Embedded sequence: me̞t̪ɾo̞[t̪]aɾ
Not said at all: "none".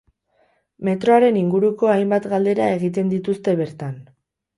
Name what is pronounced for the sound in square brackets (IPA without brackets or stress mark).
none